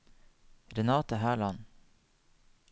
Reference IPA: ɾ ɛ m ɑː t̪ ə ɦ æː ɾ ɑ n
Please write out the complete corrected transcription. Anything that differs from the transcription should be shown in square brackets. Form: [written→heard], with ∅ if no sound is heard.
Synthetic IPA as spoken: ɾ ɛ [m→n] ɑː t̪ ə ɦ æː [ɾ→ɭ] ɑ n